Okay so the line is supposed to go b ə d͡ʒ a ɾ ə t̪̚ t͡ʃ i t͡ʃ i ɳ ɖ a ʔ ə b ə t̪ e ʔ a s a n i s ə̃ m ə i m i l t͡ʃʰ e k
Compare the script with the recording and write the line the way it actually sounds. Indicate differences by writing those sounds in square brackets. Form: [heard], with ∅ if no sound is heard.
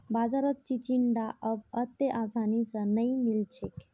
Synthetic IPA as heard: b [a] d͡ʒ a ɾ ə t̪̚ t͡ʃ i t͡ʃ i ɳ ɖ a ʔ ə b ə t̪ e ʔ a s a n i s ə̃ [n] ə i m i l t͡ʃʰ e k